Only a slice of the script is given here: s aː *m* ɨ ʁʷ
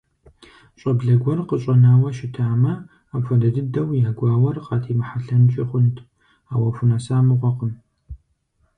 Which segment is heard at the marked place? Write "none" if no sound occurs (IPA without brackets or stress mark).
m